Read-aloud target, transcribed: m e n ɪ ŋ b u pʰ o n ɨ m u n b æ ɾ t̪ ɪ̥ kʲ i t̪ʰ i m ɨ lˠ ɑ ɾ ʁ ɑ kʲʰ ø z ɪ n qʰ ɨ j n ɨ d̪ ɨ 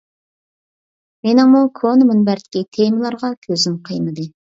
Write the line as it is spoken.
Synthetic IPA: m e n ɪ ŋ m u kʰ o n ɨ m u n b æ ɾ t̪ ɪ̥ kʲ i t̪ʰ e m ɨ lˠ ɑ ɾ ʁ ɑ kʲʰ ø z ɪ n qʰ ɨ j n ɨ d̪ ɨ